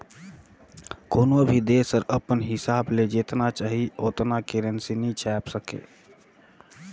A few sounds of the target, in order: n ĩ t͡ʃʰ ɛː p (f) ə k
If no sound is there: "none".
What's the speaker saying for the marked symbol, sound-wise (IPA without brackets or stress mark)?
s